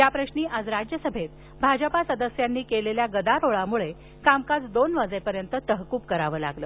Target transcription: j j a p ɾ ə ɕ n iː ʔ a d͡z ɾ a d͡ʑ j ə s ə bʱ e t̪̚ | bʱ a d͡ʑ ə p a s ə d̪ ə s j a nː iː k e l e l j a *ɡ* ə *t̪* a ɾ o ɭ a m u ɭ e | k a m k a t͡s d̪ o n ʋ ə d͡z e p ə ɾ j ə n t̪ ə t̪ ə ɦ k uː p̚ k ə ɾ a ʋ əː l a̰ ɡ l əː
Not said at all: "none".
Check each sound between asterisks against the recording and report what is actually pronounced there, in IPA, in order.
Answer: ɡ, d̪

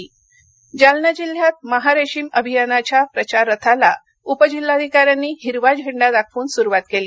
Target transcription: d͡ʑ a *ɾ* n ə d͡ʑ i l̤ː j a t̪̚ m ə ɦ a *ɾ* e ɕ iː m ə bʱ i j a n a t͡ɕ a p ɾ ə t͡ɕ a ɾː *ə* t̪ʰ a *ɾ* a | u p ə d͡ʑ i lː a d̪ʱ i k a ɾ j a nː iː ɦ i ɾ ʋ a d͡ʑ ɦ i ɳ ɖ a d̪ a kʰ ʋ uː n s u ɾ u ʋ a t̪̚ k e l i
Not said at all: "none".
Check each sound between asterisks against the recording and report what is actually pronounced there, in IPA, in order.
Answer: l, ɾ, ə, l

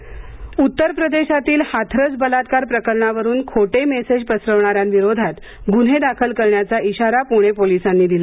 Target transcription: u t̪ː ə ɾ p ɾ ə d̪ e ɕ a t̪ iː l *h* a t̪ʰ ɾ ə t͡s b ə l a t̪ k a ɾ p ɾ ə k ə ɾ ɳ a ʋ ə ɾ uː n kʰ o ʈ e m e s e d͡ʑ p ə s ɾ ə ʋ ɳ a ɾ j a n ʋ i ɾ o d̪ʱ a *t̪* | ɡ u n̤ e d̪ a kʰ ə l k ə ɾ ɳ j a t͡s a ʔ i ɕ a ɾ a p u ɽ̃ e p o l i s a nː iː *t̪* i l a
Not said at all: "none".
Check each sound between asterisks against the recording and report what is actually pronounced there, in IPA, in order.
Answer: h, t̪, d̪

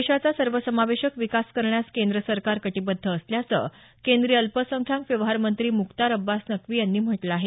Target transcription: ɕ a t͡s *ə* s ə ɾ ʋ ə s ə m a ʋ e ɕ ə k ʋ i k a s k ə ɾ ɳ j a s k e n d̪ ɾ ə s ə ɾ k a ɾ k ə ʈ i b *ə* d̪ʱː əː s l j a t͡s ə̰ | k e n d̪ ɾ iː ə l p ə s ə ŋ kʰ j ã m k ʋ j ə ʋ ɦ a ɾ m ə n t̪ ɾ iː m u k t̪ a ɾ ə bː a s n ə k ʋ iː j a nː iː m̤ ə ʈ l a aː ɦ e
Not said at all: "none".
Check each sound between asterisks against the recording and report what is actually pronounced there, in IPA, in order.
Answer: a, ə

